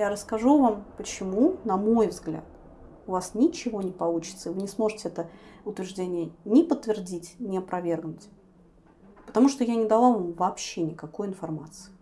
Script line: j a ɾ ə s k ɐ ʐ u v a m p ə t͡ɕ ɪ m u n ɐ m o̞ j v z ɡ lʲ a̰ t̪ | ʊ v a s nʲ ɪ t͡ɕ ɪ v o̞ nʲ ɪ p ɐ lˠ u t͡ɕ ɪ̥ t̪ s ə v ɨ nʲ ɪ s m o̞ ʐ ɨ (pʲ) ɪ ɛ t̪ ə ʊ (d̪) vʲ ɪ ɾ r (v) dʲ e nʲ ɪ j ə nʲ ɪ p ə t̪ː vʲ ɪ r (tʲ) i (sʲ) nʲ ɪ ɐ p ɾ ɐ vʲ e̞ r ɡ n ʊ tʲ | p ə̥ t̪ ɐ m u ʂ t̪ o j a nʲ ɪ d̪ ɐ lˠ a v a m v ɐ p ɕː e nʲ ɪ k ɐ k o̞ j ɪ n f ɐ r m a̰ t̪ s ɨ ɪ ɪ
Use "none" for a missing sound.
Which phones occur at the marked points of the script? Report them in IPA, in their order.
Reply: tʲ, t̪, ʐ, dʲ, tʲ

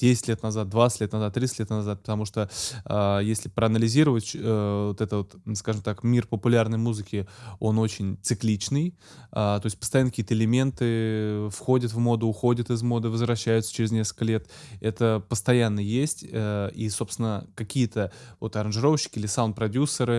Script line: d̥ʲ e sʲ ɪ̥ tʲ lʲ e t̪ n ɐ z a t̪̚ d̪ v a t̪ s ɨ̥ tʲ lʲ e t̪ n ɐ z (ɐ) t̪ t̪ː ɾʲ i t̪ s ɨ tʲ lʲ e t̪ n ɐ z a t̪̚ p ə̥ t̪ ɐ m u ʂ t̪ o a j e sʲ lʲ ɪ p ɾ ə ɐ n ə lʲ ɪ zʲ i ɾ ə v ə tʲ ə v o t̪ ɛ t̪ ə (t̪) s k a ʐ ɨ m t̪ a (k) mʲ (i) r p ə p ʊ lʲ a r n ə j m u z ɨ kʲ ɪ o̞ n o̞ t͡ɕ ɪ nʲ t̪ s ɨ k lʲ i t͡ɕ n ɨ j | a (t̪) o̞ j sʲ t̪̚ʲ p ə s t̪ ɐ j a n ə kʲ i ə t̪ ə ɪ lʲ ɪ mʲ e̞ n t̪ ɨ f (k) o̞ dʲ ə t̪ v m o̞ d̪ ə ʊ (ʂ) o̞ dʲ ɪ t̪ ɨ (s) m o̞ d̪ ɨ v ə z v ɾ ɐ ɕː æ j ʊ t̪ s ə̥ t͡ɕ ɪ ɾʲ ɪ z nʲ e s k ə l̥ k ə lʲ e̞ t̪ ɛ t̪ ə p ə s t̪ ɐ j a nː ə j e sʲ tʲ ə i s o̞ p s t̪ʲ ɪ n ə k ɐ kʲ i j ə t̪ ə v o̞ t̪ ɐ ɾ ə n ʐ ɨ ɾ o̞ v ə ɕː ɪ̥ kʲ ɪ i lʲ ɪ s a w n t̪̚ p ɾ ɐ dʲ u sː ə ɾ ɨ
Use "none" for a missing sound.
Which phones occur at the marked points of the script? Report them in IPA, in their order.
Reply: a, t̪, k, i, t̪, x, x, z

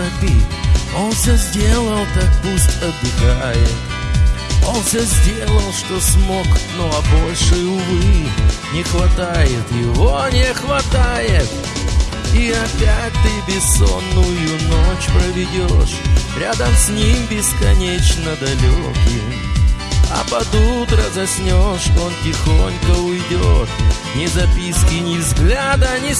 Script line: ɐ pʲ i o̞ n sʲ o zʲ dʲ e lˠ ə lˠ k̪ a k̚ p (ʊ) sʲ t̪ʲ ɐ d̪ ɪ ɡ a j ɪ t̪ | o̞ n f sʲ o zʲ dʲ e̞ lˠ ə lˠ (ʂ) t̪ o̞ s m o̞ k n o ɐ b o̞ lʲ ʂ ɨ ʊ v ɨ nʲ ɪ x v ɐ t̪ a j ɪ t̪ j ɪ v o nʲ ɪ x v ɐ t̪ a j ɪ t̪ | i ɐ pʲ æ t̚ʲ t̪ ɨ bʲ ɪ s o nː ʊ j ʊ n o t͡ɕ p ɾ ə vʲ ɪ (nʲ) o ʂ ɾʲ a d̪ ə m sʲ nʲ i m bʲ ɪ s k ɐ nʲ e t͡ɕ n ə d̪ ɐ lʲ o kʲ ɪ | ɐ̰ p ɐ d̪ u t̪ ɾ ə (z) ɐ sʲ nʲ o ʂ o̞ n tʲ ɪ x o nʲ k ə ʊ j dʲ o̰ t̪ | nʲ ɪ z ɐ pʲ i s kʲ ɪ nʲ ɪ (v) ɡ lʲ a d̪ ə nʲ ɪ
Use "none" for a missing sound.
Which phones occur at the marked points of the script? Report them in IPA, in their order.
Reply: u, ʂ, dʲ, z, z

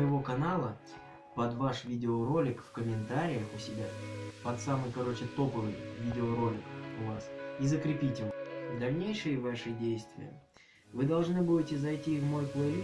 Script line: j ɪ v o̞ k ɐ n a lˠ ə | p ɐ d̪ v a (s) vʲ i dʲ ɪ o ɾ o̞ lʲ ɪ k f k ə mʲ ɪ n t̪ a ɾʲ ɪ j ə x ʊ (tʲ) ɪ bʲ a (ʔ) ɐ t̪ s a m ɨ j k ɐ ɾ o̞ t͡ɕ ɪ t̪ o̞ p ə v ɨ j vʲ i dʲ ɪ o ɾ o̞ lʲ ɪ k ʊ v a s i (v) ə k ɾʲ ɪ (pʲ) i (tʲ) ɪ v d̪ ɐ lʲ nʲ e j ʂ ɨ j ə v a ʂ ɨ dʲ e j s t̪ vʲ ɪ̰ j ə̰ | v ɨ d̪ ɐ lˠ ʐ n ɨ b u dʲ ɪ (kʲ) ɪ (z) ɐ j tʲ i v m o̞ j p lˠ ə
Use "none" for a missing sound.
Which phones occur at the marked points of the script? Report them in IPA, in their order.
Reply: ʂ, sʲ, p, z, pʲ, tʲ, tʲ, z

